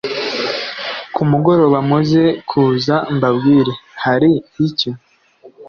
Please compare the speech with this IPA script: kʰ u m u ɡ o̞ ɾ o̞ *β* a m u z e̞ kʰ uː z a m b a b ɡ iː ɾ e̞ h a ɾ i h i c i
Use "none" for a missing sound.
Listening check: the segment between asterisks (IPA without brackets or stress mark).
β